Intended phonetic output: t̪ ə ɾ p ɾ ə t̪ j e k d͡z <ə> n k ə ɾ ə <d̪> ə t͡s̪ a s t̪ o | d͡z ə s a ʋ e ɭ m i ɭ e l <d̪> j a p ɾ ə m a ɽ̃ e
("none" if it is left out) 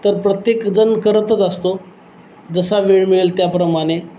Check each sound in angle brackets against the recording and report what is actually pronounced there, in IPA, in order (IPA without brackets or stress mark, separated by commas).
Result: ə, t̪, t̪